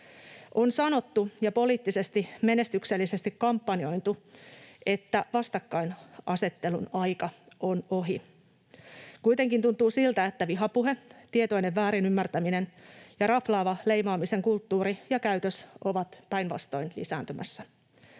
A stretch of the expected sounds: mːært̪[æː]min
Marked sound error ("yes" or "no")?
yes